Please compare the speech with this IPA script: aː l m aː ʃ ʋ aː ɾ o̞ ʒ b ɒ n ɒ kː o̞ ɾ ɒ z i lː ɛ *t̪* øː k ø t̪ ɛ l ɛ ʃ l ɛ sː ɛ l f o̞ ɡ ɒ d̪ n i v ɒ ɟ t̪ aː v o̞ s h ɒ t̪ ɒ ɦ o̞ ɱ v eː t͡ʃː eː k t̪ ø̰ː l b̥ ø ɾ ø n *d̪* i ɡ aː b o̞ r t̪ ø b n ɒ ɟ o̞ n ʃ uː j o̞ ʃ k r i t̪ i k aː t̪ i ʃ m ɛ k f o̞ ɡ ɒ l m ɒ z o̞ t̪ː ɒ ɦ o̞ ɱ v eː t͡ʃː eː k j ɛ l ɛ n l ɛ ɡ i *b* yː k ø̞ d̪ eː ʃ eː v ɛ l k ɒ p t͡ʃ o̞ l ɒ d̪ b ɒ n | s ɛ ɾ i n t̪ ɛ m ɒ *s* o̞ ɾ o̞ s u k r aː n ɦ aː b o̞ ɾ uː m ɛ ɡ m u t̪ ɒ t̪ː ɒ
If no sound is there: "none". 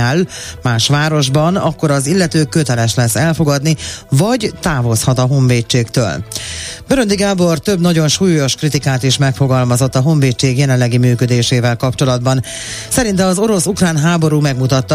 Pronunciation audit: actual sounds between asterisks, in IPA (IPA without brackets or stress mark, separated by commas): t̪, d̪, m, z